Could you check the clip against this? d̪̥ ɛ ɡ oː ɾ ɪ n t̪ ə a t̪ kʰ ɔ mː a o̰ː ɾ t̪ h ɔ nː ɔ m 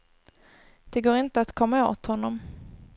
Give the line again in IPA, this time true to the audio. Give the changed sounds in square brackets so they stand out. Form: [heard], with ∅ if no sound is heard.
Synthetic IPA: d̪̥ ɛ ɡ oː ɾ ɪ n t̪ ə a t̪ kʰ ɔ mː a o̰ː [∅] t̪ h ɔ nː ɔ m